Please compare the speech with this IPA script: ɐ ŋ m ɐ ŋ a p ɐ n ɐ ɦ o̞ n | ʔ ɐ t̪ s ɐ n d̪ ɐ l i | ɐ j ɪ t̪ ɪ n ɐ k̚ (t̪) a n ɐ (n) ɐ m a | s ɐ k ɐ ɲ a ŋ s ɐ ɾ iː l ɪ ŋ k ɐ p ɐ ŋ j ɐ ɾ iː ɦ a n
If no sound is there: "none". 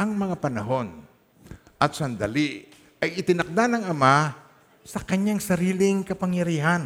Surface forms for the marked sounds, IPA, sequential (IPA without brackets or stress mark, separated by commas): d̪, ŋ